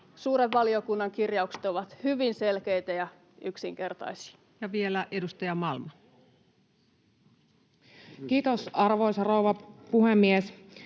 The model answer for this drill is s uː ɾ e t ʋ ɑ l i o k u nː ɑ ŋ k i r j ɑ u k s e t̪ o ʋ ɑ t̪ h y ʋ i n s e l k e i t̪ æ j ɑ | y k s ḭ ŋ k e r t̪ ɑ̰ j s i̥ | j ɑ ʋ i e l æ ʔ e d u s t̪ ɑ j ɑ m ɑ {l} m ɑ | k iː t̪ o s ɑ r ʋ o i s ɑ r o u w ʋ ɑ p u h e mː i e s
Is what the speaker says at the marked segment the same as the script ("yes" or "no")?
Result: yes